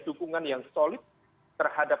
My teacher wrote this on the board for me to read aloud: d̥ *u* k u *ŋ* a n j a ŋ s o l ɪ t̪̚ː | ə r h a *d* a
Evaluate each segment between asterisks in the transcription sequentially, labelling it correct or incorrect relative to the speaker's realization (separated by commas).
correct, correct, correct